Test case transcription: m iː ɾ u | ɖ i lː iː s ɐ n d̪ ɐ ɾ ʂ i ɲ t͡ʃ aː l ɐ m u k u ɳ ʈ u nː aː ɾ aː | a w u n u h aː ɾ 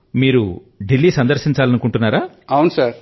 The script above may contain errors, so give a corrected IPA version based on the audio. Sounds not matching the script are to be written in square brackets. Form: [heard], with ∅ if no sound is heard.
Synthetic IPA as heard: m iː ɾ u | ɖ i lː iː s ɐ n d̪ ɐ ɾ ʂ i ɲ t͡ʃ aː l ɐ [n] u k u ɳ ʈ u nː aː ɾ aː | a w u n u [s] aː ɾ